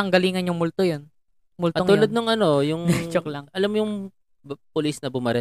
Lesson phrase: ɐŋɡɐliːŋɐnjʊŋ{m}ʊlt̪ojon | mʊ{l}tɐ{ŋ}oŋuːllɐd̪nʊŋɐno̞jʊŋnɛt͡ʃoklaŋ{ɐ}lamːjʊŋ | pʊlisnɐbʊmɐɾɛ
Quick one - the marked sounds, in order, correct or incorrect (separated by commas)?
correct, correct, incorrect, correct